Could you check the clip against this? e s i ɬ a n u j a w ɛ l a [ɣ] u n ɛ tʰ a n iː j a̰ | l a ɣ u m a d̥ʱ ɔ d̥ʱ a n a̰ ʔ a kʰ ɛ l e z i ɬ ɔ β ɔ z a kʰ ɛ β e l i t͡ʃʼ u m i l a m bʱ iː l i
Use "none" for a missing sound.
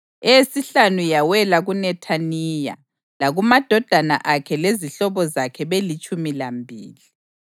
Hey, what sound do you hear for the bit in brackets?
ɣ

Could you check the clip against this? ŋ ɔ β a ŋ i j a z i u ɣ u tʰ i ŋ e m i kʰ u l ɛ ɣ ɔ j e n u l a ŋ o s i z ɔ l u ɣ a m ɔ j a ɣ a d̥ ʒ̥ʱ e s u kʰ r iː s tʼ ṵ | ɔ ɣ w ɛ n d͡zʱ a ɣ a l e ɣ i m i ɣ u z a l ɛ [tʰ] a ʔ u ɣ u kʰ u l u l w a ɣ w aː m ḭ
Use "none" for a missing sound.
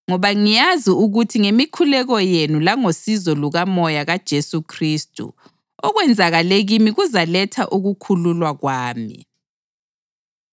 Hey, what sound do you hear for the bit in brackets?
tʰ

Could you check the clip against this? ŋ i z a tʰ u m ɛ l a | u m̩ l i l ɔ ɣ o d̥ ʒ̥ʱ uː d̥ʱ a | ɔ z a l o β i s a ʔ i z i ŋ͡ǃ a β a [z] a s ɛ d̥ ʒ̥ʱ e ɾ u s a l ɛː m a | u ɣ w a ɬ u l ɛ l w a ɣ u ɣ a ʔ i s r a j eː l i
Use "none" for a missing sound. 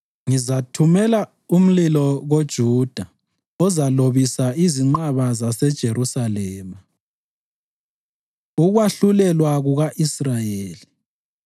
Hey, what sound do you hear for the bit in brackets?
z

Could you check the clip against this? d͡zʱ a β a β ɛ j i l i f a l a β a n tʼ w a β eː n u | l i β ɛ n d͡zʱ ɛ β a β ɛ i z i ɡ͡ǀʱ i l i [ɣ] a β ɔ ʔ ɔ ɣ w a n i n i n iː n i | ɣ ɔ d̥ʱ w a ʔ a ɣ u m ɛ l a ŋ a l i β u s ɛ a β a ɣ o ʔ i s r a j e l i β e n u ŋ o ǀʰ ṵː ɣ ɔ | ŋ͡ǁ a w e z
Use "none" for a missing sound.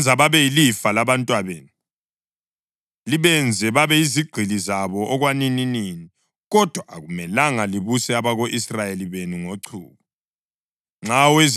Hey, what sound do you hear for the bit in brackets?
z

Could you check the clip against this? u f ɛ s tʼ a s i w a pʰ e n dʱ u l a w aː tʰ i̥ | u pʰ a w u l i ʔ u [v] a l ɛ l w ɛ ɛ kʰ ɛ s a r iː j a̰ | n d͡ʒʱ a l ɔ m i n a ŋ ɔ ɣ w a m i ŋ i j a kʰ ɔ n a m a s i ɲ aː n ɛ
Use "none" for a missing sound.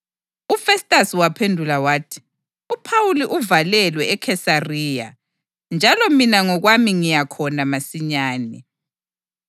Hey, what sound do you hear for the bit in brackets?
v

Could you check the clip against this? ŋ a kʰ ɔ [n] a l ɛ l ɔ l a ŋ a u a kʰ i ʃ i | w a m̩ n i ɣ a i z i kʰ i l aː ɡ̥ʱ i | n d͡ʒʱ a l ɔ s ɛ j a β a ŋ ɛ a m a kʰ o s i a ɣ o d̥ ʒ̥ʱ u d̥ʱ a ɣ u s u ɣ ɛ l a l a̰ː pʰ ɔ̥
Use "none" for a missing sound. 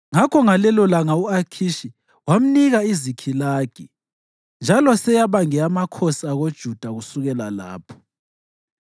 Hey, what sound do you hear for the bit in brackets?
ŋ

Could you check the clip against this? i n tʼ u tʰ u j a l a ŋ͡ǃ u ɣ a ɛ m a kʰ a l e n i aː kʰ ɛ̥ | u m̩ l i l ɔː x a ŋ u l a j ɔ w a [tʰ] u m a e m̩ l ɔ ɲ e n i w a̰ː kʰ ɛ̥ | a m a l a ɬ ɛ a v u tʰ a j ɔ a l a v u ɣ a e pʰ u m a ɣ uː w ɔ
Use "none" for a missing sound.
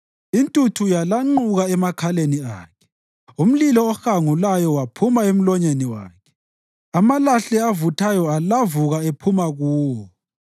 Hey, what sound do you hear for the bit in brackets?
pʰ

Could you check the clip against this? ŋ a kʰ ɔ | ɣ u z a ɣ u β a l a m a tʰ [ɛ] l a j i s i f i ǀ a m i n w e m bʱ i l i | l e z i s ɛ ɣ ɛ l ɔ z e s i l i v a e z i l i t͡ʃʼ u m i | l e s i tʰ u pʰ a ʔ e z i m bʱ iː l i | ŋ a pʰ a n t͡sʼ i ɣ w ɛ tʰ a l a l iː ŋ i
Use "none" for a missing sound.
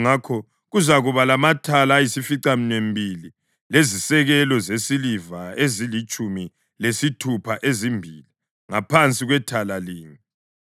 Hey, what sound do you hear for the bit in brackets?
a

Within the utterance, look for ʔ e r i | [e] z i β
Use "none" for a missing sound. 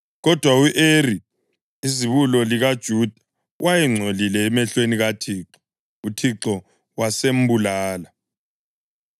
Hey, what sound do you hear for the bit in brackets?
i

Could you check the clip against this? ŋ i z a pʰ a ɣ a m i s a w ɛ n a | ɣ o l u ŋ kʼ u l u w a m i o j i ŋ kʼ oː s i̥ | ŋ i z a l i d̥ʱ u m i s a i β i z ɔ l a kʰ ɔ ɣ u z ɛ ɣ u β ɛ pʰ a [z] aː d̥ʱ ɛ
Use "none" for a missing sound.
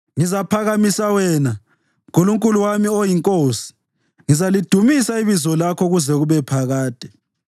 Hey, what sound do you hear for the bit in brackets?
ɣ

